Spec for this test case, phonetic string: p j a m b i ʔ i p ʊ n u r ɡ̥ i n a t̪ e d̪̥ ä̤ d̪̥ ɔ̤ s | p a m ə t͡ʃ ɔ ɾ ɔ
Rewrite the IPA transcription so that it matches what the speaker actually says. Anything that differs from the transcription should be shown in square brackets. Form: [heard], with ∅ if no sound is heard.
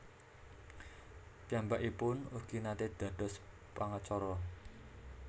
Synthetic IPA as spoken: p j a m b [a] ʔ i p ʊ n u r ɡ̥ i n a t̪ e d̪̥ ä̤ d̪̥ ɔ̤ s | p a [ŋ] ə t͡ʃ ɔ ɾ ɔ